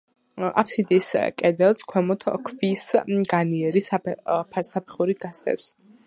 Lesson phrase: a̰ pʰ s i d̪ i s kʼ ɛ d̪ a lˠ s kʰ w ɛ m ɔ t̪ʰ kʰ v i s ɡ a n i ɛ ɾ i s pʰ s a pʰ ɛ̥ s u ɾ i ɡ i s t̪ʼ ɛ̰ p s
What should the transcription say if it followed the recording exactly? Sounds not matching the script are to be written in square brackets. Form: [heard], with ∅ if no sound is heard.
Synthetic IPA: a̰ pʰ s i d̪ i s kʼ ɛ d̪ [ɛ] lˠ s kʰ w ɛ m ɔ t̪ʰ kʰ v i s ɡ a n i ɛ ɾ i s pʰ s a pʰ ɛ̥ [χ] u ɾ i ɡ [a] s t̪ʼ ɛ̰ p s